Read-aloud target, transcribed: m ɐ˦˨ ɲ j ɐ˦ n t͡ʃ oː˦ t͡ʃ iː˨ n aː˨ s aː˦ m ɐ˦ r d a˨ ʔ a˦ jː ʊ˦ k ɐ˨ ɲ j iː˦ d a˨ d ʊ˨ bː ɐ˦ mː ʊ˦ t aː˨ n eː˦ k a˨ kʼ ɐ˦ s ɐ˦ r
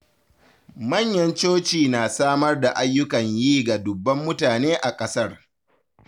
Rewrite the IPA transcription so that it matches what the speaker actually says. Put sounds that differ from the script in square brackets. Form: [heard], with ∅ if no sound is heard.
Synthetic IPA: m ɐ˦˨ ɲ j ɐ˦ n t͡ʃ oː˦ t͡ʃ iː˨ n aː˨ s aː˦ m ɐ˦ r d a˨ ʔ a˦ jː ʊ˦ k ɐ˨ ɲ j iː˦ [ɡ] a˨ d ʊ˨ bː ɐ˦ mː ʊ˦ t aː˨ n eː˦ [ʔ] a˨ kʼ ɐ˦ s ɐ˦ r